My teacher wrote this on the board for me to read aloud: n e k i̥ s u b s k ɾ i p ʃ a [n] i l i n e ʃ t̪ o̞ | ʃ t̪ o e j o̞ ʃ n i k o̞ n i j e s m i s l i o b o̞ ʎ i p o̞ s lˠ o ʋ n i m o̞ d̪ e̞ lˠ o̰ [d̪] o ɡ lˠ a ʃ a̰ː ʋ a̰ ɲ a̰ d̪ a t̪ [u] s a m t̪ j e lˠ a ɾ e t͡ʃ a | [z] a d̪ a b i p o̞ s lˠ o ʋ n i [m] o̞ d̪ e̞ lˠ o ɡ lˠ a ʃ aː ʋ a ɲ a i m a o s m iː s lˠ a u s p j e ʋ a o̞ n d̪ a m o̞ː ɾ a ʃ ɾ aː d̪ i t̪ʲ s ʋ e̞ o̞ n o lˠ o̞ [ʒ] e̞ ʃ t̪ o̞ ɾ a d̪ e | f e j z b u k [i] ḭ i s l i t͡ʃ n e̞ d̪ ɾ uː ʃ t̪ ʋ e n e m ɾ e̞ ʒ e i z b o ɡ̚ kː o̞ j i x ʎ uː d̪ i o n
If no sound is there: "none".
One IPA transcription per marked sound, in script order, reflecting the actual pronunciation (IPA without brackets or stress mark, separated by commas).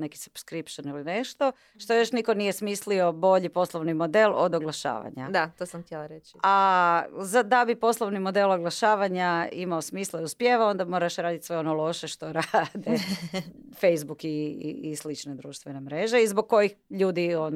n, d̪, o, z, m, ʃ, i